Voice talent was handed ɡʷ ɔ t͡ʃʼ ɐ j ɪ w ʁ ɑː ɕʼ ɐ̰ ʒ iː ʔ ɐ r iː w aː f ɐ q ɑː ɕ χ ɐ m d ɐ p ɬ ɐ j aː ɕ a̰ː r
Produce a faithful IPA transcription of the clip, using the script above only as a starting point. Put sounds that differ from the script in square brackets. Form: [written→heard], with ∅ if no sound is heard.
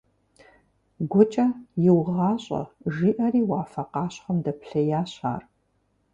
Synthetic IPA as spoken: ɡʷ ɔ t͡ʃʼ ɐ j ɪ w ʁ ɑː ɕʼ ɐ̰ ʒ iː ʔ ɐ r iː w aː f ɐ q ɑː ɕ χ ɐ m d ɐ p ɬ ɐ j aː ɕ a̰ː r